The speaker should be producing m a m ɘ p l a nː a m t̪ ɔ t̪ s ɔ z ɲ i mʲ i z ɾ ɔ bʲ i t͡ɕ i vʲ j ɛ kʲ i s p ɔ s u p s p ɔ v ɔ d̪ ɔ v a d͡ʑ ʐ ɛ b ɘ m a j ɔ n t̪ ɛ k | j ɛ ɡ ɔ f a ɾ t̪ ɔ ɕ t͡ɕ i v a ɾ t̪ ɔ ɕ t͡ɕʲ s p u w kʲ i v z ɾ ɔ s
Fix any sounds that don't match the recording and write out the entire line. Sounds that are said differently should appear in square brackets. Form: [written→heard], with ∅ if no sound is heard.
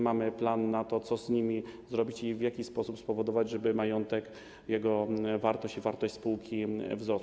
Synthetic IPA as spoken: m a m ɘ p l a nː a [m→∅] t̪ ɔ t̪ s ɔ z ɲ i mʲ i z ɾ ɔ bʲ i t͡ɕ i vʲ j [ɛ→a] kʲ i s p ɔ s u p s p ɔ v ɔ d̪ ɔ v a d͡ʑ ʐ ɛ b ɘ m a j ɔ n t̪ ɛ k | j ɛ ɡ ɔ [f→v] a ɾ t̪ ɔ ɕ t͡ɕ i v a ɾ t̪ ɔ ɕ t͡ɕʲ s p u w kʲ i v z ɾ ɔ s